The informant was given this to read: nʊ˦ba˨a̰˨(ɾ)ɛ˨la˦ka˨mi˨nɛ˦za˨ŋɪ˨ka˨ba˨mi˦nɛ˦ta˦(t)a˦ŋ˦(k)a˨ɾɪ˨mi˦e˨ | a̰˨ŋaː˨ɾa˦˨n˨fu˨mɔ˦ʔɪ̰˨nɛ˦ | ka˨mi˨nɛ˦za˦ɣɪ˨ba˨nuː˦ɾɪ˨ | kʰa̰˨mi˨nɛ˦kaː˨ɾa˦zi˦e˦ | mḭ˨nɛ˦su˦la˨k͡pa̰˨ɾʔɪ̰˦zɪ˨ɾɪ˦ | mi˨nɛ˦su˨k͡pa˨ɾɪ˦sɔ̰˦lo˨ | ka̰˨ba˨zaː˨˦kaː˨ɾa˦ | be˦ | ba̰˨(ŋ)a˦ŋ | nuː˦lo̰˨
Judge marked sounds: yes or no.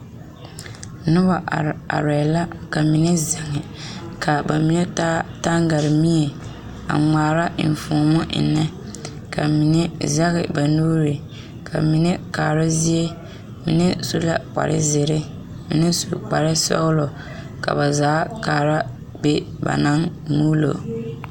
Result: yes, yes, no, no

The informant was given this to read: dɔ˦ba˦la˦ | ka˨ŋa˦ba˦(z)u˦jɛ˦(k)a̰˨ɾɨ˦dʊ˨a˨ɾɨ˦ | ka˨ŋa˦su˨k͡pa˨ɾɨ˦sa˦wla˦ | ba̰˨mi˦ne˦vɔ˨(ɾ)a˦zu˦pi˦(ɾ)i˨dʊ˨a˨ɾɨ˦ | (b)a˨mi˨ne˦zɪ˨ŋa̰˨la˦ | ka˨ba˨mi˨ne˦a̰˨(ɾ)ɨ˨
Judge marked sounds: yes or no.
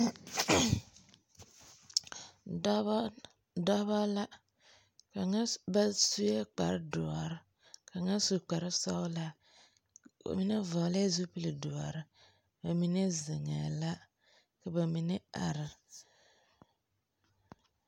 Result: no, no, no, no, yes, yes

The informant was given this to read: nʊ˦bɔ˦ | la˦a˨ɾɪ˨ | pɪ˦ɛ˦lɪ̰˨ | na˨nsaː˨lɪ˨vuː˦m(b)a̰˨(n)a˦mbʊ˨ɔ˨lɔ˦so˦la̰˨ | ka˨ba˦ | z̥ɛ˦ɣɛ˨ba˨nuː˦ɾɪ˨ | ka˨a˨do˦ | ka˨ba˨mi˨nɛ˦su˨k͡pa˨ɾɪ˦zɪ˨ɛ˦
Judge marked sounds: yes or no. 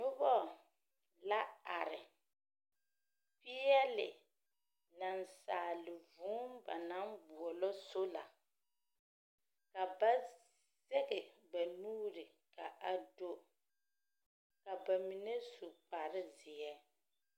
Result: yes, yes

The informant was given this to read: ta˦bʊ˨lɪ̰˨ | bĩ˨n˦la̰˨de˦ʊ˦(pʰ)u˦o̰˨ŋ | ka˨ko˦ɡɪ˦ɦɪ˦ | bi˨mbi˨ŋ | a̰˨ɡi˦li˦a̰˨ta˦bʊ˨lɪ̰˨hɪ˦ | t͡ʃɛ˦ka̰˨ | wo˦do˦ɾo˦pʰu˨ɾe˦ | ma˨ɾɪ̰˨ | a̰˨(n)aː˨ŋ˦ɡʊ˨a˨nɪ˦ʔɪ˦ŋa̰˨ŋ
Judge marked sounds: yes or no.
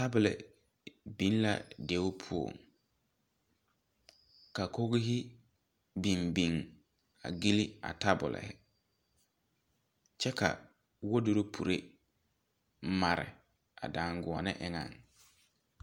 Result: yes, no

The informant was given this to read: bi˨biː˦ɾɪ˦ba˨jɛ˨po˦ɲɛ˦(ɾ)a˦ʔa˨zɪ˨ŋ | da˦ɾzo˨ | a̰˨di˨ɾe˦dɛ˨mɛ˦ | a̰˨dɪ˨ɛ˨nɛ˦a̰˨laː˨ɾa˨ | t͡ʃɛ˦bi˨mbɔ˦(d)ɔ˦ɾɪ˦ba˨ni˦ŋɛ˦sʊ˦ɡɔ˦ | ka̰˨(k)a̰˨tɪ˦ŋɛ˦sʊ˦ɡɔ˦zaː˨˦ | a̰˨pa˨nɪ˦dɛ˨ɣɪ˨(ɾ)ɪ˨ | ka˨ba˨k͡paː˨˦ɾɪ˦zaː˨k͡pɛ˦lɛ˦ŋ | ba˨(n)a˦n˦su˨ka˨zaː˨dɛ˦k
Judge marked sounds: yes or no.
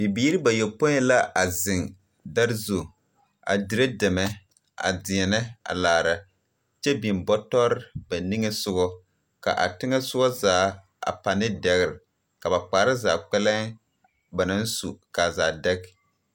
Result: no, no, no, yes, yes

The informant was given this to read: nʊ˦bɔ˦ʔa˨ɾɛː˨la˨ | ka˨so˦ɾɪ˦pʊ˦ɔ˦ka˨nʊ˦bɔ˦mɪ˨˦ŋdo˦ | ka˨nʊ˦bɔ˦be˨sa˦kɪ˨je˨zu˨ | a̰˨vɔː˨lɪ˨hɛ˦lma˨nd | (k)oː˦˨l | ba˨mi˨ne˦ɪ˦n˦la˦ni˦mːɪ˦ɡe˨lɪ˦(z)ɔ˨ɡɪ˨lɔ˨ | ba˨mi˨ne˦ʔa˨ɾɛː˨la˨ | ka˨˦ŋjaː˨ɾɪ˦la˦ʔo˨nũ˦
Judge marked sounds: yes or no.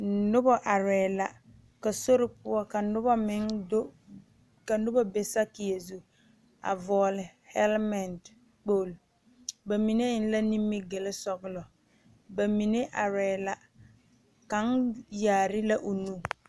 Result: no, no

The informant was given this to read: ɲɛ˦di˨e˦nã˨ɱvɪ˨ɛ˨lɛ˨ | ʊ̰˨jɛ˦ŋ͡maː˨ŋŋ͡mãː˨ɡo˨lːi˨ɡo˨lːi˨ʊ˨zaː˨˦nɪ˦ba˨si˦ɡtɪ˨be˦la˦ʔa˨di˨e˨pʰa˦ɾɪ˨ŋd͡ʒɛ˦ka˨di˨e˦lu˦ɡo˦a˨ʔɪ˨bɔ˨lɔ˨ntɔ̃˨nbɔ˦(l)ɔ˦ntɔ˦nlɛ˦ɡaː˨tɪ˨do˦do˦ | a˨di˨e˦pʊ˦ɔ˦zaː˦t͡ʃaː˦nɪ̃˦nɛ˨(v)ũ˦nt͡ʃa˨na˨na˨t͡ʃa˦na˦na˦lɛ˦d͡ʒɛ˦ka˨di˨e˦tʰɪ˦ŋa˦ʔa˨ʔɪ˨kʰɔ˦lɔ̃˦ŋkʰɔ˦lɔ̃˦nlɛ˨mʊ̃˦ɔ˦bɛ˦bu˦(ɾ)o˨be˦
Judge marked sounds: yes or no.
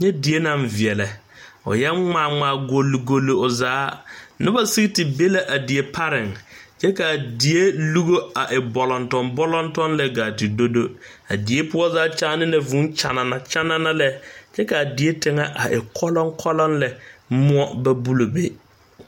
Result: yes, yes, no

